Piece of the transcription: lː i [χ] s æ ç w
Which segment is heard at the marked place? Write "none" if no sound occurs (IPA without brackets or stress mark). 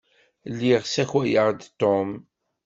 ʁ